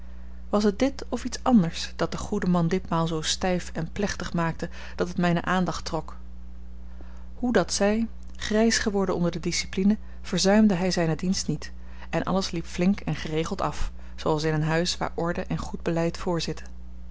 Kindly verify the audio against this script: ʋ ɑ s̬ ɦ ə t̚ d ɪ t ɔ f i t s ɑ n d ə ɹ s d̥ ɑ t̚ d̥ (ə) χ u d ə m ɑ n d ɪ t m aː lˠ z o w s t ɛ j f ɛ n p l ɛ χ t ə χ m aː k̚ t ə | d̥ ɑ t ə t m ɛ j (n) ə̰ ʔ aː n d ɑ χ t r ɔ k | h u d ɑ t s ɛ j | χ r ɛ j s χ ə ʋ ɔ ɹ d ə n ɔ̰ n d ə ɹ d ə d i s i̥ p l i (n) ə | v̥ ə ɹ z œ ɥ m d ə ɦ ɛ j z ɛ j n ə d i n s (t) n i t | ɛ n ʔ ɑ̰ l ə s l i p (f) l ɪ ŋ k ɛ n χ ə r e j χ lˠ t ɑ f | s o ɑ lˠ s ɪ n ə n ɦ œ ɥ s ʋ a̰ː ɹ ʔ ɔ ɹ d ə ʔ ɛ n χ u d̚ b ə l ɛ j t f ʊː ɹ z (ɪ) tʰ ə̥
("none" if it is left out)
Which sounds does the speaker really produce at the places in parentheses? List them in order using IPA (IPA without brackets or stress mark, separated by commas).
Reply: ə, n, n, t, f, ɪ